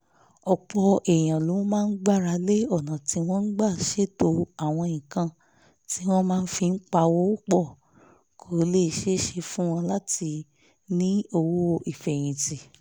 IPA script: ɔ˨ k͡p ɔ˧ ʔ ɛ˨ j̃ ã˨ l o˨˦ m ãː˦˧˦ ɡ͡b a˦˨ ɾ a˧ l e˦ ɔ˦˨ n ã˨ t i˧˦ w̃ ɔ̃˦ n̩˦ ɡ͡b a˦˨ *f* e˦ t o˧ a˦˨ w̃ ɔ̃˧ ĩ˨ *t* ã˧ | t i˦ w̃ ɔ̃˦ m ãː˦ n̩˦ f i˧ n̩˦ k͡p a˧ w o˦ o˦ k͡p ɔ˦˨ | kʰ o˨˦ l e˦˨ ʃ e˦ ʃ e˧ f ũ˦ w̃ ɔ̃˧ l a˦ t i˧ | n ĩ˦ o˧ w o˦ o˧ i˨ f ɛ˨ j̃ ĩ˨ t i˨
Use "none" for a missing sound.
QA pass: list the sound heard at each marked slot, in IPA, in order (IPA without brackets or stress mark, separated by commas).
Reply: ʃ, k